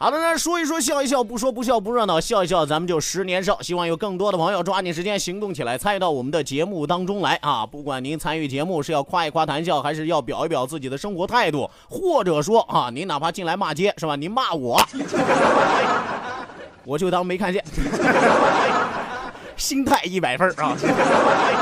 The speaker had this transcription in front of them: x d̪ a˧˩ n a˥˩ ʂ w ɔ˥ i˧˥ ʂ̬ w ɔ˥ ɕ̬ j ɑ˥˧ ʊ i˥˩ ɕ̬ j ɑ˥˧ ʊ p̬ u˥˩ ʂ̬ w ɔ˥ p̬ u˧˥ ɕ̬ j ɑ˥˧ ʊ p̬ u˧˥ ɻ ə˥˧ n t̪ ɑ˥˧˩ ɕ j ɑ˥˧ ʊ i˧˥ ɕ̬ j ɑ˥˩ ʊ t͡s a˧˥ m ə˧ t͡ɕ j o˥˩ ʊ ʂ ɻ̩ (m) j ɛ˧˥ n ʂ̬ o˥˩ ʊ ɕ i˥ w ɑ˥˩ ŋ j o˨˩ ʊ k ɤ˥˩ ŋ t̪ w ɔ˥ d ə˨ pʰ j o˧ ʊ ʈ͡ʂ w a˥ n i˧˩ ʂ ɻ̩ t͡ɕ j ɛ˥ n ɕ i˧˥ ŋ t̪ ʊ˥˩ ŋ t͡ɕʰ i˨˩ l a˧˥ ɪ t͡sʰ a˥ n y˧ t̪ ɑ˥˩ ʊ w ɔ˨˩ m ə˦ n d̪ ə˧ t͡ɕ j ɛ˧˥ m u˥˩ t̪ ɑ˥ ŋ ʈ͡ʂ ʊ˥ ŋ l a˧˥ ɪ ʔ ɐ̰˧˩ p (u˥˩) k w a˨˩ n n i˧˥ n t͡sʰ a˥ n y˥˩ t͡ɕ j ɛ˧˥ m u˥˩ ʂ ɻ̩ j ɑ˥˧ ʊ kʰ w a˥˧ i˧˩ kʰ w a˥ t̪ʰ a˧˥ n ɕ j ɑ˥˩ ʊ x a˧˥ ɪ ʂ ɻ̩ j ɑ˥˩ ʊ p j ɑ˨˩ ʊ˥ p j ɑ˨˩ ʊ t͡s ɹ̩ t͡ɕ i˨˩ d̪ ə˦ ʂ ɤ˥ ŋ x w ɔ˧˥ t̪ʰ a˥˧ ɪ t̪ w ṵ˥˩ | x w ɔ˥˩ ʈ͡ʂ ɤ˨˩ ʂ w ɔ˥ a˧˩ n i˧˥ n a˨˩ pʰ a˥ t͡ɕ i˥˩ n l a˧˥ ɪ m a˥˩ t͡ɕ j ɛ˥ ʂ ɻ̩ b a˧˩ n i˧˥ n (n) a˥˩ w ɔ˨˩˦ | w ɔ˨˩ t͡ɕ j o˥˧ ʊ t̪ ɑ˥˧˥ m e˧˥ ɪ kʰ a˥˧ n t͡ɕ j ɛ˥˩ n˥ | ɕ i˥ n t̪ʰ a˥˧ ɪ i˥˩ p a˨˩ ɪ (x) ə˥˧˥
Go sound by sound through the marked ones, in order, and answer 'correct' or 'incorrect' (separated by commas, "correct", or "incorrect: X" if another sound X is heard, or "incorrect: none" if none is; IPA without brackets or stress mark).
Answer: incorrect: n, correct, incorrect: m, incorrect: f